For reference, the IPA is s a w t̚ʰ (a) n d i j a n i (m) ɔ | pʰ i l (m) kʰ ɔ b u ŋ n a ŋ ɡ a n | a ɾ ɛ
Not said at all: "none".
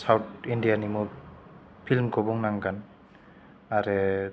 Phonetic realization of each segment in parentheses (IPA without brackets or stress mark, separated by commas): i, m, m